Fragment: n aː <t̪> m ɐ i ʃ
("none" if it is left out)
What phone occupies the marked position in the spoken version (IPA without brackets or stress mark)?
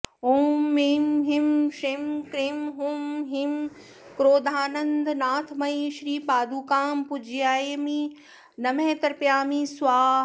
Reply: t̪ʰ